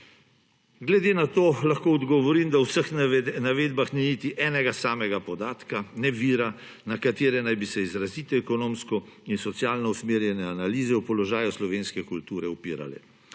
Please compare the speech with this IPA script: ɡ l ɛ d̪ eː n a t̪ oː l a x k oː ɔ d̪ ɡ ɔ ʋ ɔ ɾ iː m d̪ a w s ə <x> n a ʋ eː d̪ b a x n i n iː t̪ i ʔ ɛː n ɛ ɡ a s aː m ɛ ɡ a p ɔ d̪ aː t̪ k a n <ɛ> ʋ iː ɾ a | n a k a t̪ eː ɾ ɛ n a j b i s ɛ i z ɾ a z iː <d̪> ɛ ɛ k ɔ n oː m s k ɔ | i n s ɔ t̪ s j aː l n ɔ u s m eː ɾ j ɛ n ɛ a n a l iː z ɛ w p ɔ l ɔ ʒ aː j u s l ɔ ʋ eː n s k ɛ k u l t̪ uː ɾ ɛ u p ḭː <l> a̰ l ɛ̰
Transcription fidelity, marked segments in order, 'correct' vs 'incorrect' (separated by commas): correct, correct, incorrect, incorrect